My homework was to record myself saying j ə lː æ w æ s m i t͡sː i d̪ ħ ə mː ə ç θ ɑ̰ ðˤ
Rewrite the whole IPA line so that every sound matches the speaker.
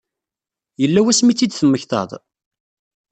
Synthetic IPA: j ə lː æ w æ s m i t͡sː i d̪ θ ə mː ə ç θ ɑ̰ ðˤ